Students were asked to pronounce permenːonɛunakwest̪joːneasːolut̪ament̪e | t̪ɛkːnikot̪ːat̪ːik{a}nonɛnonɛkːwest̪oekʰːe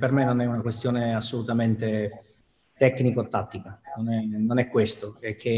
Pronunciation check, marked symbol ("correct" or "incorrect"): correct